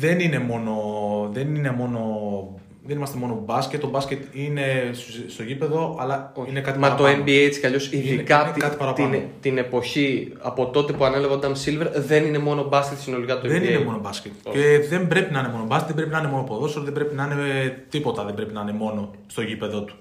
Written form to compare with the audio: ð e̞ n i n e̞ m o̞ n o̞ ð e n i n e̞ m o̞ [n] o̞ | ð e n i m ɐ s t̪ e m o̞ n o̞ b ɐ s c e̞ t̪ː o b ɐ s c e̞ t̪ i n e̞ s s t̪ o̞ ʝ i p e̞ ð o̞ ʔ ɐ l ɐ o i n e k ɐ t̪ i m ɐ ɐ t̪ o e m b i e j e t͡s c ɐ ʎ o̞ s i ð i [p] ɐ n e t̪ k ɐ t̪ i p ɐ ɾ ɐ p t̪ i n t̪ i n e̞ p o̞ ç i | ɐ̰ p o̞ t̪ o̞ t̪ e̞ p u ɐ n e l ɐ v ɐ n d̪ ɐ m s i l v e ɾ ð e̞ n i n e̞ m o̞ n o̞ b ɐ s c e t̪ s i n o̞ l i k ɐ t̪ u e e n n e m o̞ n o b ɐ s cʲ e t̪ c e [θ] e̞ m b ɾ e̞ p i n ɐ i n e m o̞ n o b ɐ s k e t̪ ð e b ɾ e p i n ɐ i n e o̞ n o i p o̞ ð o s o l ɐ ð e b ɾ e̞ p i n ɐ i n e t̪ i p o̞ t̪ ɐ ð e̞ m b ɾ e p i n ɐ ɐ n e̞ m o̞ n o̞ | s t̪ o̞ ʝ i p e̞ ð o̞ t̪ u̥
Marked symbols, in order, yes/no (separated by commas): yes, no, no